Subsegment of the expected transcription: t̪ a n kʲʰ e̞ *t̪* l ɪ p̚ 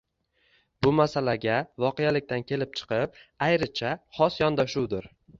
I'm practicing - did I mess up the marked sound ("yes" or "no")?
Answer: yes